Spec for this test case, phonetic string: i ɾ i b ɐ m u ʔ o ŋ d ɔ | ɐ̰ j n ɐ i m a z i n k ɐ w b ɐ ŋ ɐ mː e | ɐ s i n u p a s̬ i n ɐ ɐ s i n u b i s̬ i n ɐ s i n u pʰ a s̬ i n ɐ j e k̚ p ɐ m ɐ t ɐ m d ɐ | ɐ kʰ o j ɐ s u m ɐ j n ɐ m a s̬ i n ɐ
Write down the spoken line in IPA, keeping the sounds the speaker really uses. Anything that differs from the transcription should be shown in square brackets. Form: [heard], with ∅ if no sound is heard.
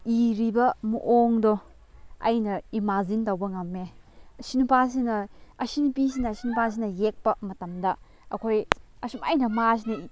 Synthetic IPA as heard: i ɾ i b ɐ m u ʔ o ŋ d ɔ | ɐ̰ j n ɐ i m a z i n [t] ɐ w b ɐ ŋ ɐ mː e | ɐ s i n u p a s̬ i n ɐ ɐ s i n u [p] i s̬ i n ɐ s i n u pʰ a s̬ i n ɐ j e k̚ p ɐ m ɐ t ɐ m d ɐ | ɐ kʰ o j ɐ s u m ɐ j n ɐ m a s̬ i n ɐ